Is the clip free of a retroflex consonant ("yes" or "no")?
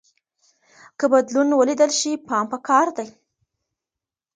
yes